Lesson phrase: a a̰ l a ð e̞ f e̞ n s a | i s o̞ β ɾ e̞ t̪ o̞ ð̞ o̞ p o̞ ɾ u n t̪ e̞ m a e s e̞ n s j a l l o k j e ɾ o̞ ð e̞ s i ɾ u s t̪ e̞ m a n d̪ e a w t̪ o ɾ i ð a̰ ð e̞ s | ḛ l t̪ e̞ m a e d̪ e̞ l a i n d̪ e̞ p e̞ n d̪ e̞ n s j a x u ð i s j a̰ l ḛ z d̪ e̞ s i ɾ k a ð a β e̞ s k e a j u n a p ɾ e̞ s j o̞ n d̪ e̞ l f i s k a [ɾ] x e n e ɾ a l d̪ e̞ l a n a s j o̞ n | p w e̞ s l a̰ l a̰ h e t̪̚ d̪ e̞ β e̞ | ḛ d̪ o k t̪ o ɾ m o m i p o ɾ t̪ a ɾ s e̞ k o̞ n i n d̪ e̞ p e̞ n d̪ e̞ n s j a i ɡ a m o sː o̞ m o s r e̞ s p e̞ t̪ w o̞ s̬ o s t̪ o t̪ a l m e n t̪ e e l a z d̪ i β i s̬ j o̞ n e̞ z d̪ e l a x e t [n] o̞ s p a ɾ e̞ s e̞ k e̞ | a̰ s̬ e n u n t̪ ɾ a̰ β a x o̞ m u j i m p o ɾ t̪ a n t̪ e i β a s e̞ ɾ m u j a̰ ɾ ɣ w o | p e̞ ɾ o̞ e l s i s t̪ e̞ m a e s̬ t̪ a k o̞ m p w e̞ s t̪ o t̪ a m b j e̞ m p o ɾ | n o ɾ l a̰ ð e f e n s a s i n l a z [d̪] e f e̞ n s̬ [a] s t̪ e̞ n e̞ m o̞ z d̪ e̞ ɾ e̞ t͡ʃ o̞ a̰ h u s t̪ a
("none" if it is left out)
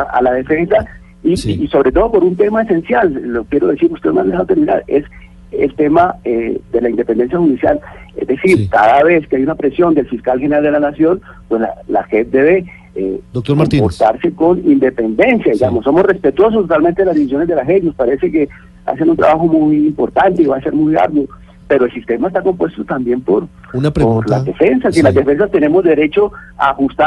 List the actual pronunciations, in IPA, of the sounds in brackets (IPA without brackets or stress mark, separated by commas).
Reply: l, n, d̪, a